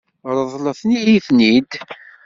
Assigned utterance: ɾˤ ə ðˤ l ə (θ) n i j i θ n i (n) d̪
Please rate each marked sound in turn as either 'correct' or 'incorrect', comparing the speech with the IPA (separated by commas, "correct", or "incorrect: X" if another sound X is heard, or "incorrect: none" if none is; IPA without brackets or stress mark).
correct, incorrect: none